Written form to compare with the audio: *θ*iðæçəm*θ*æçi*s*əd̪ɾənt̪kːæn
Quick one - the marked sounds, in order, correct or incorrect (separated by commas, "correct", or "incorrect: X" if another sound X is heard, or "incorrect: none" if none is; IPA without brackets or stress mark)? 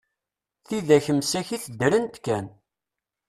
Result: correct, incorrect: s, incorrect: θ